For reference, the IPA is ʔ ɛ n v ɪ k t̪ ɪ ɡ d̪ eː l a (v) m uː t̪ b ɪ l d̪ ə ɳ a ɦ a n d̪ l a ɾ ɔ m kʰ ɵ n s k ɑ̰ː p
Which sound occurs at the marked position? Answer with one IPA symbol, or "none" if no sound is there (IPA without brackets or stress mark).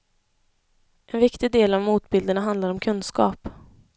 v